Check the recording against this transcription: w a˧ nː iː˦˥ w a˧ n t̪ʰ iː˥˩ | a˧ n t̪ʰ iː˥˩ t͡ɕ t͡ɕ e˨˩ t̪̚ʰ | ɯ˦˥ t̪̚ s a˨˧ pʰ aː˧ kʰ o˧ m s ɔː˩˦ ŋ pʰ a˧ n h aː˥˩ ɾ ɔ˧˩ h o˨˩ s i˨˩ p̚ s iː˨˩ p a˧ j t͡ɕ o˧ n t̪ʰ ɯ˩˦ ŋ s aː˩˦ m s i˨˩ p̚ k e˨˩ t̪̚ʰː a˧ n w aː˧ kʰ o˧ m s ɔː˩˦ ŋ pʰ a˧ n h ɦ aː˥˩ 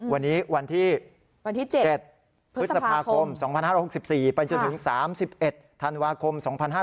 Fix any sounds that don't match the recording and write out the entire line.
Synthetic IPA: w a˧ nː iː˦˥ w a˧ n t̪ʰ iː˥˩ | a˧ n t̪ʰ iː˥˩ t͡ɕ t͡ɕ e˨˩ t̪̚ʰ | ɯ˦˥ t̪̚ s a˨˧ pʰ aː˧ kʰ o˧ m s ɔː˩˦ ŋ pʰ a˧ n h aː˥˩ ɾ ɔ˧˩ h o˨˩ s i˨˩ p̚ s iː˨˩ p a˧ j t͡ɕ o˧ n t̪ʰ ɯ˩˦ ŋ s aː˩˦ m s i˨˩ p̚ ʔ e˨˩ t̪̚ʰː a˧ n w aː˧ kʰ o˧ m s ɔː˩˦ ŋ pʰ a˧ n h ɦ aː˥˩